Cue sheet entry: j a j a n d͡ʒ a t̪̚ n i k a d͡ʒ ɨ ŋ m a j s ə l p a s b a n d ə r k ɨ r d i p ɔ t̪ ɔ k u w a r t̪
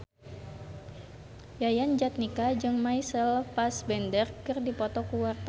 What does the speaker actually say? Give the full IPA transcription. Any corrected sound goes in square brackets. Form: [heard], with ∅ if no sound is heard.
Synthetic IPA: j a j a n d͡ʒ a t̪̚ n i k a d͡ʒ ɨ ŋ m a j s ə l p a s b [ɛ] n d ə r k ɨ r d i p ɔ t̪ ɔ k u w a r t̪